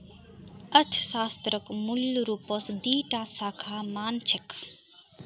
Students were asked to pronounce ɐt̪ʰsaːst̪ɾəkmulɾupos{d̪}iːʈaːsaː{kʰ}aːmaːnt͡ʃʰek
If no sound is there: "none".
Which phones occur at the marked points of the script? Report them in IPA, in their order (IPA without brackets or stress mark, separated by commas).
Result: d̪, kʰ